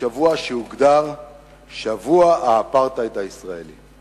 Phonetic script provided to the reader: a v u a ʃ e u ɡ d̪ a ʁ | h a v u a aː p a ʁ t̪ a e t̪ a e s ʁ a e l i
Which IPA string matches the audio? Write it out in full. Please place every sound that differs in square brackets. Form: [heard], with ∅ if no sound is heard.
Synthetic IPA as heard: a v u a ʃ e u ɡ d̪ a ʁ | [ʃ] a v u a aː p a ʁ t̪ a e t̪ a [i] s ʁ a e l i